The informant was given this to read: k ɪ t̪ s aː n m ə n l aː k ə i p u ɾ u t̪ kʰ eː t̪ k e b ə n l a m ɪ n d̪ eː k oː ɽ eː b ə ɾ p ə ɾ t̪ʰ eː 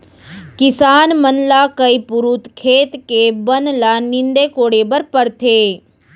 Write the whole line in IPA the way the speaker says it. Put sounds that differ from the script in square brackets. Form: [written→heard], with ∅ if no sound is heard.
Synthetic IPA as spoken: k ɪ [t̪→∅] s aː n m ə n l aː k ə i p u ɾ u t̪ kʰ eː t̪ k e b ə n l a [m→n] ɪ n d̪ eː k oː ɽ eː b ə ɾ p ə ɾ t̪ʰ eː